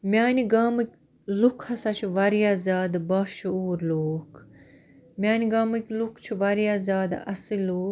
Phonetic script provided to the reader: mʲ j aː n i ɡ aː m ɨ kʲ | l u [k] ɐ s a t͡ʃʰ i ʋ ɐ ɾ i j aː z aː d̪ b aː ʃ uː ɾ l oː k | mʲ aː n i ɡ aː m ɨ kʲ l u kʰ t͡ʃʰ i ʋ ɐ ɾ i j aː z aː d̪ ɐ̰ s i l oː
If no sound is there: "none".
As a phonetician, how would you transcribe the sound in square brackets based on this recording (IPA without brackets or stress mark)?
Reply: kʰ